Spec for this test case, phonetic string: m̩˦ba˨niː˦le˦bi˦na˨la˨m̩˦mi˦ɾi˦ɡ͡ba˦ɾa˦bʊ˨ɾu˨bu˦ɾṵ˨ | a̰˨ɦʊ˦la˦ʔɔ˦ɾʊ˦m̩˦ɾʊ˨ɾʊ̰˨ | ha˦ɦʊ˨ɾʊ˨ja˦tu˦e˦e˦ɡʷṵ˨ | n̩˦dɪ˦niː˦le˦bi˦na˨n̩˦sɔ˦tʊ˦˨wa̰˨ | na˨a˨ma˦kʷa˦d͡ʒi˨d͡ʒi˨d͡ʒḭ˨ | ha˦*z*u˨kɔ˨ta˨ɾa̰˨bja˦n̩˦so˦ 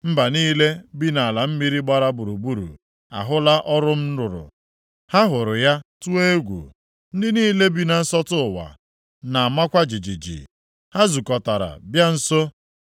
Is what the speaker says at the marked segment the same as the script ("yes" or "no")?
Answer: yes